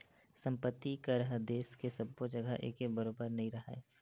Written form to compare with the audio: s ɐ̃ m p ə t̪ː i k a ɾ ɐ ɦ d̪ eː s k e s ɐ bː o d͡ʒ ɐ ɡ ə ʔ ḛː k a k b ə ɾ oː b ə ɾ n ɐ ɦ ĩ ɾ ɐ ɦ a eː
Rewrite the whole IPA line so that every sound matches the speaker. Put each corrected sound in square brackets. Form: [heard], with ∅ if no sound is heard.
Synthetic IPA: s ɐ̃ m p ə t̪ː i k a ɾ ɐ ɦ d̪ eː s k e s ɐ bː o d͡ʒ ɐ ɡ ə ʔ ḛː k [e] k b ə ɾ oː b ə ɾ n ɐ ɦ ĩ ɾ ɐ ɦ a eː